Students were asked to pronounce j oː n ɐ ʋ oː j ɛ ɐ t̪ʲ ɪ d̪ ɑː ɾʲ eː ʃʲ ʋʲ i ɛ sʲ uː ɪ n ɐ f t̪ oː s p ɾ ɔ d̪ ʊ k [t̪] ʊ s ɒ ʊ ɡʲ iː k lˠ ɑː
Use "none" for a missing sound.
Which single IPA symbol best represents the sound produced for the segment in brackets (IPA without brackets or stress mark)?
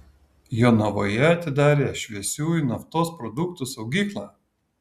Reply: t̪